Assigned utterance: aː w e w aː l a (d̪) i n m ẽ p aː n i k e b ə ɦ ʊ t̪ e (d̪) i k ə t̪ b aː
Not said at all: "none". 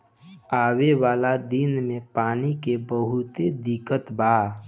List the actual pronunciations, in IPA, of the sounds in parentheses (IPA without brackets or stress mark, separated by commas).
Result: d̪, d̪